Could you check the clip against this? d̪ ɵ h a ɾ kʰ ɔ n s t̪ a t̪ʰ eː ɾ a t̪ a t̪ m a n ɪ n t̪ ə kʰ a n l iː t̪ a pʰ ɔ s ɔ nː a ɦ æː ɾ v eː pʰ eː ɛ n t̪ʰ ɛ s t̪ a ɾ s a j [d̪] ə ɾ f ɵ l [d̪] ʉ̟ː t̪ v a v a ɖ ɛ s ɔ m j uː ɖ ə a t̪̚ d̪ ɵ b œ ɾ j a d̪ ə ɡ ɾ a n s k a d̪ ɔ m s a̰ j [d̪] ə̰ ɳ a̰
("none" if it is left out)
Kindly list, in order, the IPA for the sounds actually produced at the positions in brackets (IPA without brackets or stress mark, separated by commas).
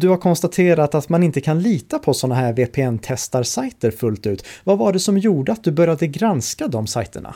t̪, t̪, t̪